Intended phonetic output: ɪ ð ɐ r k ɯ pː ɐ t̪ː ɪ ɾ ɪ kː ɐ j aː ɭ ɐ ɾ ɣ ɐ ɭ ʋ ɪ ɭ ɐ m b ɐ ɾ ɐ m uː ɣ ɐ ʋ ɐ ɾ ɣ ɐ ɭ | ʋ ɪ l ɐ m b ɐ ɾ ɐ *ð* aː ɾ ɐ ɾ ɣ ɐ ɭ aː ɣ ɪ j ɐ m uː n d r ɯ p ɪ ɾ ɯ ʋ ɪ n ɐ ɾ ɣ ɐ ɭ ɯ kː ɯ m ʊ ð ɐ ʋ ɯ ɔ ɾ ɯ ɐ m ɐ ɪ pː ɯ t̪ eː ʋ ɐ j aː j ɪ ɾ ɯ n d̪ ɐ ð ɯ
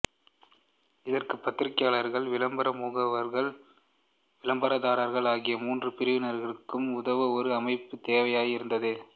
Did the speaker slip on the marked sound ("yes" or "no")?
no